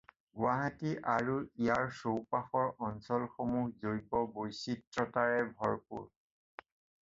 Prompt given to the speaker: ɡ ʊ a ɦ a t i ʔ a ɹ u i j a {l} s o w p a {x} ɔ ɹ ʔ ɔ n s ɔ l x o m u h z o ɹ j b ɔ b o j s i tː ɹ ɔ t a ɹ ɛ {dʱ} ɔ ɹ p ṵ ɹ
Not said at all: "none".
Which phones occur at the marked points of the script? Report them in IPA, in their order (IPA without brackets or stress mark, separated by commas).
ɹ, x, bʱ